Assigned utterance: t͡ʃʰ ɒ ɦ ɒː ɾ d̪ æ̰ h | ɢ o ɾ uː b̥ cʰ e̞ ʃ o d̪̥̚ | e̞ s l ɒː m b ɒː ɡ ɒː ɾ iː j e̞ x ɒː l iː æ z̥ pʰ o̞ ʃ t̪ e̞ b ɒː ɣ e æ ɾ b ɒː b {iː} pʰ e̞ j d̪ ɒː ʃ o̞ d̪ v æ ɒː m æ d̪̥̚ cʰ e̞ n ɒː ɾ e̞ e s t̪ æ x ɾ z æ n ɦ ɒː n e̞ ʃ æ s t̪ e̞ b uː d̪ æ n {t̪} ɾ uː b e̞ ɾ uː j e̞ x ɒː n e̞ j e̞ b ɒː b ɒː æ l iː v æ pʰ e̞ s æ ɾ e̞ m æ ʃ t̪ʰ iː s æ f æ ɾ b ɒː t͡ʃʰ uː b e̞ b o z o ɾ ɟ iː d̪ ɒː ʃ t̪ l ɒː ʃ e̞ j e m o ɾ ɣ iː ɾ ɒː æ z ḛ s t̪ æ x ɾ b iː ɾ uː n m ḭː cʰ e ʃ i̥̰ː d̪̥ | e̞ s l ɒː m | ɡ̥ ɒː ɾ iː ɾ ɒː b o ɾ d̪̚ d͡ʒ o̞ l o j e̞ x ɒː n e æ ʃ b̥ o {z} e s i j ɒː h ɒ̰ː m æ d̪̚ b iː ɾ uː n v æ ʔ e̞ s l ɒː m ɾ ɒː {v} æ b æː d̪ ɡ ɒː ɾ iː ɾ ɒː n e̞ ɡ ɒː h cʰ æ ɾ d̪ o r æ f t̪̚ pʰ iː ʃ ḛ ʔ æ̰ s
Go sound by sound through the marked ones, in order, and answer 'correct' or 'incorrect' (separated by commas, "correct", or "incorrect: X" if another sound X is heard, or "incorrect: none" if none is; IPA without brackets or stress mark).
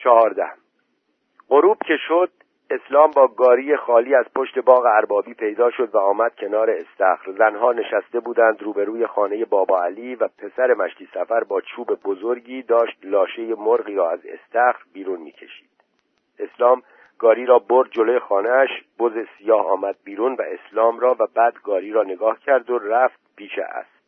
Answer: correct, incorrect: d̪, correct, correct